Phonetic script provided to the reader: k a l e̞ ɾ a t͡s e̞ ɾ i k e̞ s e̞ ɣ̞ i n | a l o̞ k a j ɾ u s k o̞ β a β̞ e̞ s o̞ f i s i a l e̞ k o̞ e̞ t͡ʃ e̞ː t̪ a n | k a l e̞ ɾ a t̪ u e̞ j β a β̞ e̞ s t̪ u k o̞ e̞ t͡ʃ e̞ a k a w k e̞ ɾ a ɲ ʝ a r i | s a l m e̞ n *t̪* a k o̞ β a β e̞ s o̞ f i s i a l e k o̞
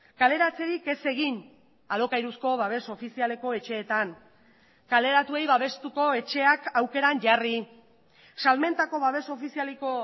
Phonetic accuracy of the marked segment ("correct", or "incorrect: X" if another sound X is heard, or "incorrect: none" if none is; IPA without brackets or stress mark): correct